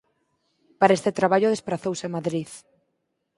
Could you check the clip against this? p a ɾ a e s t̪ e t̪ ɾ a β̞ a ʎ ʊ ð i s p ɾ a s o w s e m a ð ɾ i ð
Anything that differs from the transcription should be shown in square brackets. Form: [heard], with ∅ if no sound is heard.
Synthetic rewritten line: p a ɾ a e s t̪ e t̪ ɾ a β̞ a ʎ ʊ ð [e] s p ɾ a [θ] o w s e m a ð ɾ i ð